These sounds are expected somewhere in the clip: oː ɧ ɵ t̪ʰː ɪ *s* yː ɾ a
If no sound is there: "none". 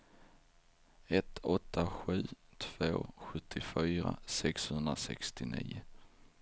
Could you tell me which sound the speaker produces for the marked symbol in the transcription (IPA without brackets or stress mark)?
f